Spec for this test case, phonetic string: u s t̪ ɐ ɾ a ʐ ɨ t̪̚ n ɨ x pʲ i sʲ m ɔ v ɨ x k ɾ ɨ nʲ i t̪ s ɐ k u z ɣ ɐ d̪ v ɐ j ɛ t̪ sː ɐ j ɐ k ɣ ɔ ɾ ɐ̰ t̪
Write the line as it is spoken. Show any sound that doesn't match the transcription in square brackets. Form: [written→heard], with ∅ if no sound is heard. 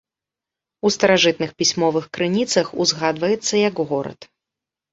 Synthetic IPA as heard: u s t̪ ɐ ɾ a ʐ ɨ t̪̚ n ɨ x pʲ i sʲ m ɔ v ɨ x k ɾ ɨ nʲ i t̪ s ɐ [k→x] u z ɣ [ɐ→a] d̪ v ɐ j ɛ t̪ sː ɐ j ɐ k ɣ ɔ ɾ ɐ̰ t̪

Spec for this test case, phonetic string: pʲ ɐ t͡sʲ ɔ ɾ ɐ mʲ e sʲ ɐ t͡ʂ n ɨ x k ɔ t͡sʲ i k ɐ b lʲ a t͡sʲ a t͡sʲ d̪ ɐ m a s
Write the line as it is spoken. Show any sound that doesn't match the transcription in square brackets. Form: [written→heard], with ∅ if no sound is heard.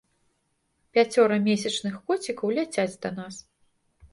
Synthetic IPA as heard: pʲ [ɐ→a] t͡sʲ ɔ ɾ ɐ mʲ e sʲ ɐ t͡ʂ n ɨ x k ɔ t͡sʲ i k ɐ [b→w] lʲ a t͡sʲ a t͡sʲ d̪ ɐ [m→n] a s

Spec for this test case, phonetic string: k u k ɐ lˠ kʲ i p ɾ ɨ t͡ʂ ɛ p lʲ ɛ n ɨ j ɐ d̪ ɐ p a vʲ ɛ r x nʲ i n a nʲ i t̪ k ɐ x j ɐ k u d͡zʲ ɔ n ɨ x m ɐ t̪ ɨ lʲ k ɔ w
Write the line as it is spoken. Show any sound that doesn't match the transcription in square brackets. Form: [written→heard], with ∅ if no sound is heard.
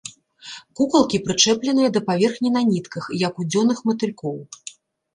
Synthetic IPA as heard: k u k ɐ lˠ kʲ i p ɾ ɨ t͡ʂ ɛ p lʲ ɛ n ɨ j ɐ d̪ ɐ p a vʲ ɛ r x nʲ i n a nʲ i t̪ k ɐ x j ɐ k u d͡zʲ ɔ n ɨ x m ɐ t̪ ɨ lʲ k ɔ w

